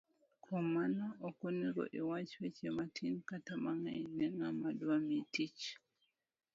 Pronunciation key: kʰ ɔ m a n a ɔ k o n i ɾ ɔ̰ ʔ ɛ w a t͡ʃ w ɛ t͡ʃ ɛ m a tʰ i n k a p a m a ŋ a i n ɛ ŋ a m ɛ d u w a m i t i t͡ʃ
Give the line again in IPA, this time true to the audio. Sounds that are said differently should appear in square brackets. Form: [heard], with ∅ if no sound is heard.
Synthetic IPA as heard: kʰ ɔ m a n a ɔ k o n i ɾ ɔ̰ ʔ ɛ w a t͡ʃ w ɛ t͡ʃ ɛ m a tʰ i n k a [t] a m a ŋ a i n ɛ ŋ a m [a] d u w a m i t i t͡ʃ